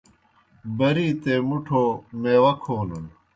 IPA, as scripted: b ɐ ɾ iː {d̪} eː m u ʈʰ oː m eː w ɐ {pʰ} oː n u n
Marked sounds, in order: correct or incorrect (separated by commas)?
incorrect, incorrect